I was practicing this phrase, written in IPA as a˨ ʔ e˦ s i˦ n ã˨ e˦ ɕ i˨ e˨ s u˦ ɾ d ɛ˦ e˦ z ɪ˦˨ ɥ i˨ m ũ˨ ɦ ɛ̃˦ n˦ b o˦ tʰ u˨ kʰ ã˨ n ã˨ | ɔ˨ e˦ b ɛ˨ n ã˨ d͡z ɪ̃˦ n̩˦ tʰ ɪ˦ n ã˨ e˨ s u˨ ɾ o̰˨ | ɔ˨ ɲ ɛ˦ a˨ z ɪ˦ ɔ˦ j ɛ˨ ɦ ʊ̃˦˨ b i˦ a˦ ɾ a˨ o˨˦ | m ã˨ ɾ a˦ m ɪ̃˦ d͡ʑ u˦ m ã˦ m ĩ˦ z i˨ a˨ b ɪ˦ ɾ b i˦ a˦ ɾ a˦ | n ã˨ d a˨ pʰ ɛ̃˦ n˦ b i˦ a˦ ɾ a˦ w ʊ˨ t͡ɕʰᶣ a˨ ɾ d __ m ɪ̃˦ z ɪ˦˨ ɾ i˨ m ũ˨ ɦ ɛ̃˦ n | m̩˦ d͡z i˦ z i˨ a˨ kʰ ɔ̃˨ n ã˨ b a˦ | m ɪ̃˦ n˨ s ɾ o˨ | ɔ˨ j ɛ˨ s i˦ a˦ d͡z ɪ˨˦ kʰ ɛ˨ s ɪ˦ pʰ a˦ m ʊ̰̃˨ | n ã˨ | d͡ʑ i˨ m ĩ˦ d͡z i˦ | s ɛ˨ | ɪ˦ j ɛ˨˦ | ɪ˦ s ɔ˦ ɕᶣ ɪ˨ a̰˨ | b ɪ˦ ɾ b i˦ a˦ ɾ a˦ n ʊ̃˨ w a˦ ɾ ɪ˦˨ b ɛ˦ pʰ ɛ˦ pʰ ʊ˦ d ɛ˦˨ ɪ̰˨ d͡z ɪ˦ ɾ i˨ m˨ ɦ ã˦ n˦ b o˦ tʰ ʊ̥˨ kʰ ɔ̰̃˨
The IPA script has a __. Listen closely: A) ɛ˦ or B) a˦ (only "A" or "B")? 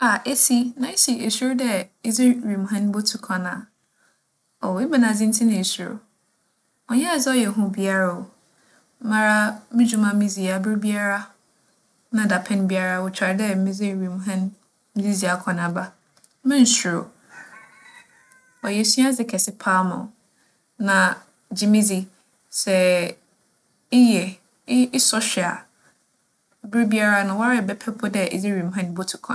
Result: A